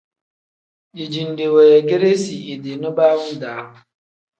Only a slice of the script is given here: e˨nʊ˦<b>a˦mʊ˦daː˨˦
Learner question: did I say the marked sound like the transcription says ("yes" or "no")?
yes